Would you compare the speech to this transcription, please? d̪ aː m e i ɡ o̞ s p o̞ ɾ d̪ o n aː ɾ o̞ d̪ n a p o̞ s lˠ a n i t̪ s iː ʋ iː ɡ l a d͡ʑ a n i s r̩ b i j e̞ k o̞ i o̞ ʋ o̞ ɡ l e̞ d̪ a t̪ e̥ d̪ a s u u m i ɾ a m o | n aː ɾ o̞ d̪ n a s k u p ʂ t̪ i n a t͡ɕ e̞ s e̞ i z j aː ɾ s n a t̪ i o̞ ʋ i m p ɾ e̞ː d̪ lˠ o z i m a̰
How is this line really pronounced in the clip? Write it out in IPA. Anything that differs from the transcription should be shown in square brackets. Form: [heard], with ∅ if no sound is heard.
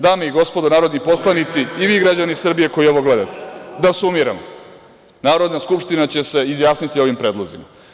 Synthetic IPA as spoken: d̪ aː m e i ɡ o̞ s p o̞ [∅] d̪ o n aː ɾ o̞ d̪ n [i] p o̞ s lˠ a n i t̪ s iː ʋ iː ɡ [ɾ] a d͡ʑ a n i s r̩ b i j e̞ k o̞ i o̞ ʋ o̞ ɡ l e̞ d̪ a t̪ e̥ d̪ a s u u m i ɾ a m o | n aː ɾ o̞ d̪ n a s k u p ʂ t̪ i n a t͡ɕ e̞ s e̞ i z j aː [∅] s n [i] t̪ i o̞ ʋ i m p ɾ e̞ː d̪ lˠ o z i m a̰

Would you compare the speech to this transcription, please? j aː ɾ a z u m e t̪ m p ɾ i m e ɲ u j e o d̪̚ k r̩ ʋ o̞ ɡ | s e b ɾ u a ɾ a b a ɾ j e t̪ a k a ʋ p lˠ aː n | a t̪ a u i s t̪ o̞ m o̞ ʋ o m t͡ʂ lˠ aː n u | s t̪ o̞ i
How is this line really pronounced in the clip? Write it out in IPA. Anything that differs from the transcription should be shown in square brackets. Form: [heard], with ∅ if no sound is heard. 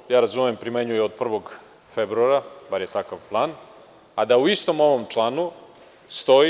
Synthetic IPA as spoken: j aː ɾ a z u m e [∅] m p ɾ i m e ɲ u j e o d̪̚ [p] r̩ ʋ o̞ ɡ | [f] e b ɾ u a ɾ a b a ɾ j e t̪ a k a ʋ p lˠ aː n | a [d̪] a u i s t̪ o̞ m o̞ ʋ o m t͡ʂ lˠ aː n u | s t̪ o̞ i

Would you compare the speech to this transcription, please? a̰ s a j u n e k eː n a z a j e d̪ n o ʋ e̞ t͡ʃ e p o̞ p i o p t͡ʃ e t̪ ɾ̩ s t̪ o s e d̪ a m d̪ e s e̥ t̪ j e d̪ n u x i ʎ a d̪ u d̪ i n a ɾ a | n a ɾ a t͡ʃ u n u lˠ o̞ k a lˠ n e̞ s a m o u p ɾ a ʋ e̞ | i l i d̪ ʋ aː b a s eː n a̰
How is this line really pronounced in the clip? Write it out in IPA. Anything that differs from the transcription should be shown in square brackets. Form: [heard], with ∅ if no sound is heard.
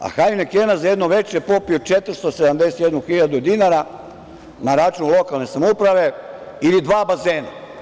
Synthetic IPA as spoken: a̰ [x] a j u n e k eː n a z a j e d̪ n o ʋ e̞ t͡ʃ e p o̞ p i o [∅] t͡ʃ e t̪ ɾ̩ s t̪ o s e d̪ a m d̪ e s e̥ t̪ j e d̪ n u x i ʎ a d̪ u d̪ i n a ɾ a | n a ɾ a t͡ʃ u n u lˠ o̞ k a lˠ n e̞ s a m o u p ɾ a ʋ e̞ | i l i d̪ ʋ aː b a [z] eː n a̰

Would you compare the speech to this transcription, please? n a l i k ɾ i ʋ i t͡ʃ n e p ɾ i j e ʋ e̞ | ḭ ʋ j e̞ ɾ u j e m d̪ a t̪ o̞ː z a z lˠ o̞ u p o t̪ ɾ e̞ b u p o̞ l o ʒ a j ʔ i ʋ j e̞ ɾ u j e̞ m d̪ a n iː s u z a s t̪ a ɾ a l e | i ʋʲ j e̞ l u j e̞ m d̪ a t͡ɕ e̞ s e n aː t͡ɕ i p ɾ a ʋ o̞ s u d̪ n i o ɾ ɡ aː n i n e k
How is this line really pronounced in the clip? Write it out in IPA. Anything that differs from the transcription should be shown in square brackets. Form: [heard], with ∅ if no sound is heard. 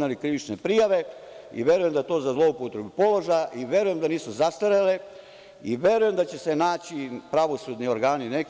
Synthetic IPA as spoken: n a l i k ɾ i ʋ i t͡ʃ n e p ɾ i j [a] ʋ e̞ | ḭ ʋ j e̞ ɾ u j e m d̪ a t̪ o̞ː z a z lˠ o̞ u p o t̪ ɾ e̞ b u p o̞ l o ʒ a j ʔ i ʋ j e̞ ɾ u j e̞ m d̪ a n iː s u z a s t̪ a ɾ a l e | i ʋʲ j e̞ [ɾ] u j e̞ m d̪ a t͡ɕ e̞ s e n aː t͡ɕ i p ɾ a ʋ o̞ s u d̪ n i o ɾ ɡ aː n i n e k

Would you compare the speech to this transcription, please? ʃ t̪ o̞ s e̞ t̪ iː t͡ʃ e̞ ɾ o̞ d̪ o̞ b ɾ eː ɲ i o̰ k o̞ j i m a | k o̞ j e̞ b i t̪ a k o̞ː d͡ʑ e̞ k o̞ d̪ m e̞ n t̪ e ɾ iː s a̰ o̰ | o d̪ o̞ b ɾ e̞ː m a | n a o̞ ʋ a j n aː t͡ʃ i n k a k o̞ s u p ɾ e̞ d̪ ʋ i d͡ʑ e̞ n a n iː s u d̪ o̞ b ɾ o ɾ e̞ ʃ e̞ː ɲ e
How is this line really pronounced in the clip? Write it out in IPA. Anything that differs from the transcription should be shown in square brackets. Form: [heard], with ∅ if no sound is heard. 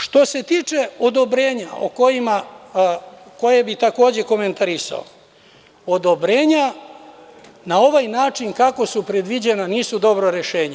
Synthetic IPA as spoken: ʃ t̪ o̞ s e̞ t̪ iː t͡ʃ e̞ [∅] o̞ d̪ o̞ b ɾ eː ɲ [a] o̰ k o̞ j i m a | k o̞ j e̞ b i t̪ a k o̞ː d͡ʑ e̞ k o̞ [∅] m e̞ n t̪ [a] ɾ [i] s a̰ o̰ | o d̪ o̞ b ɾ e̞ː [ɲ] a | n a o̞ ʋ a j n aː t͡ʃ i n k a k o̞ s u p ɾ e̞ d̪ ʋ i d͡ʑ e̞ n a n iː s u d̪ o̞ b ɾ o ɾ e̞ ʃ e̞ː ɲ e

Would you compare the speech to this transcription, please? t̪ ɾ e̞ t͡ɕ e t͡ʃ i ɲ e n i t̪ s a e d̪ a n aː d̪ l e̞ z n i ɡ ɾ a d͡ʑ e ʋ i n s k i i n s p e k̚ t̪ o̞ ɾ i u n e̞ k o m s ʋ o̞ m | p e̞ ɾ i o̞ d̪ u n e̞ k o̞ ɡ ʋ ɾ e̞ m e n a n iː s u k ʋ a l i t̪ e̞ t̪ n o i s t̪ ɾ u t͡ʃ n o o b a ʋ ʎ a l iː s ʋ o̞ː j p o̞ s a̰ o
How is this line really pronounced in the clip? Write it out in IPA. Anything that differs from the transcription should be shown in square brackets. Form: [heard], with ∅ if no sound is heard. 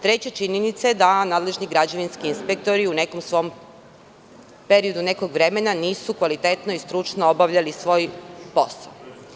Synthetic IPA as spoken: t̪ ɾ e̞ t͡ɕ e t͡ʃ i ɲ e n i t̪ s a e d̪ a n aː d̪ l e̞ [ʒ] n i ɡ ɾ a d͡ʑ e ʋ i n s k i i n s p e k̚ t̪ o̞ ɾ i u n e̞ k o m s ʋ o̞ m | p e̞ ɾ i o̞ d̪ u n e̞ k o̞ ɡ ʋ ɾ e̞ m e n a n iː s u k ʋ a l i t̪ e̞ t̪ n o i s t̪ ɾ u t͡ʃ n o o b a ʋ ʎ a l [i] s ʋ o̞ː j p o̞ s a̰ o

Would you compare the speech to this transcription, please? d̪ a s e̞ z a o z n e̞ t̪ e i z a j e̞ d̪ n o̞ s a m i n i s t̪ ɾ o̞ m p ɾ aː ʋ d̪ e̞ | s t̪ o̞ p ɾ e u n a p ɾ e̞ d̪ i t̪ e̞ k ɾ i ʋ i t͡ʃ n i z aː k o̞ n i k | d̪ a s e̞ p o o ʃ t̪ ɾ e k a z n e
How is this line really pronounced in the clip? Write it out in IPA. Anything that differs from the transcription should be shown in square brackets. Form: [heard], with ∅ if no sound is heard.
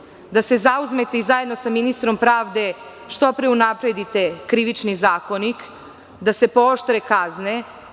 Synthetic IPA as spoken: d̪ a s e̞ z a [u] z [m] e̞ t̪ e i z a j e̞ d̪ n o̞ s a m i n i s t̪ ɾ o̞ m p ɾ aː ʋ d̪ e̞ | [ʃ] t̪ o̞ p ɾ e u n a p ɾ e̞ d̪ i t̪ e̞ k ɾ i ʋ i t͡ʃ n i z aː k o̞ n i k | d̪ a s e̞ p o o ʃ t̪ ɾ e k a z n e

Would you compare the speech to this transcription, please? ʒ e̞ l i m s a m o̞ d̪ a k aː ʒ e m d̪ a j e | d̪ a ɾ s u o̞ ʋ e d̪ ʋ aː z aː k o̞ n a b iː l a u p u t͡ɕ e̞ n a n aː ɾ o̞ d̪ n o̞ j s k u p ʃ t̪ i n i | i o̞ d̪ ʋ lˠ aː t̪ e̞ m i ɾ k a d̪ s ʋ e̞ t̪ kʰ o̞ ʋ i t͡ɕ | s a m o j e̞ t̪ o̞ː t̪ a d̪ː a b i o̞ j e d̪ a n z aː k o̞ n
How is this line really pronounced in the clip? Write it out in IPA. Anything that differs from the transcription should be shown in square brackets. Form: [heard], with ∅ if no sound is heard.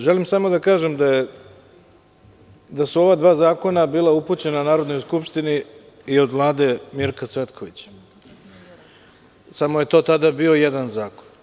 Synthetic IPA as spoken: ʒ e̞ l i m s a m o̞ d̪ a k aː ʒ e m d̪ a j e | d̪ a [∅] s u o̞ ʋ [a] d̪ ʋ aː z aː k o̞ n a b iː l a u p u t͡ɕ e̞ n a n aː ɾ o̞ d̪ n o̞ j s k u p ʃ t̪ i n i | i o̞ d̪ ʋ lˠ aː [d̪] e̞ m i ɾ k a [t̪] s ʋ e̞ t̪ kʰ o̞ ʋ i t͡ɕ | s a m o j e̞ t̪ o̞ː t̪ a [d̪] a b i o̞ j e d̪ a n z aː k o̞ n

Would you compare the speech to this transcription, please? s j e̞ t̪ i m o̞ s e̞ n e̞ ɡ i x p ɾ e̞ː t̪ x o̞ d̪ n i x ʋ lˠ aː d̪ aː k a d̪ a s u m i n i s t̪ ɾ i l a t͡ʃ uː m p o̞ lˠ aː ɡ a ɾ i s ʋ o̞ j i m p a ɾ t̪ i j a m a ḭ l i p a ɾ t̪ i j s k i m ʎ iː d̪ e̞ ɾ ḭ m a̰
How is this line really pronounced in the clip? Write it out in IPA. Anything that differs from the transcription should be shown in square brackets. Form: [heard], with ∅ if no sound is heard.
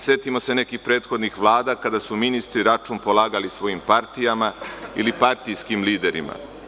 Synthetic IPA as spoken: s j e̞ t̪ i m o̞ s e̞ n e̞ [k] i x p ɾ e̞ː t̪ x o̞ d̪ n i x ʋ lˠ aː d̪ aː k a d̪ a s u m i n i s t̪ ɾ i [ɾ] a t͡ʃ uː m p o̞ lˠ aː ɡ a [l] i s ʋ o̞ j i m p a ɾ t̪ i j a m a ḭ l i p a ɾ t̪ i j s k i m [l] iː d̪ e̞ ɾ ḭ m a̰

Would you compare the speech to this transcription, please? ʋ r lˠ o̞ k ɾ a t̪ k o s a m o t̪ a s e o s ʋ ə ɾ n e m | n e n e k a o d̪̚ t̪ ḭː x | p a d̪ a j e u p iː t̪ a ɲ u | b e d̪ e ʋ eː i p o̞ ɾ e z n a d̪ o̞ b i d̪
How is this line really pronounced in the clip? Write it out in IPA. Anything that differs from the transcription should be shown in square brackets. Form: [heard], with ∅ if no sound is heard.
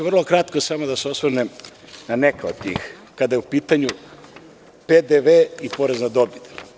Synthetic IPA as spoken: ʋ r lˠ o̞ k ɾ a t̪ k o s a m o [d̪] a s e o s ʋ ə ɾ n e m | n [a] n e k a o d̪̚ t̪ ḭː x | [k] a d̪ a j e u p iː t̪ a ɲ u | [p] e d̪ e ʋ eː i p o̞ ɾ e z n a d̪ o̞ b i d̪

